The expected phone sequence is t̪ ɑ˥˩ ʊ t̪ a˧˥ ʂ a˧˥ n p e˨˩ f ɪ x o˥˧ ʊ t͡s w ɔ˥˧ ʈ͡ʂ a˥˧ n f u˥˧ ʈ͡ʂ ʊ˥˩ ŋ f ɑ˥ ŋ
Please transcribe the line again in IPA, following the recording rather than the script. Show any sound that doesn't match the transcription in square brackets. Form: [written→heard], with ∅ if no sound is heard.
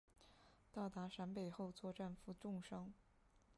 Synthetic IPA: t̪ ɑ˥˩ ʊ t̪ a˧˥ ʂ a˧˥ n p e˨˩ [f→∅] ɪ x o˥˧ ʊ t͡s w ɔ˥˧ ʈ͡ʂ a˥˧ n f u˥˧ ʈ͡ʂ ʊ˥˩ ŋ [f→ʂ] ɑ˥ ŋ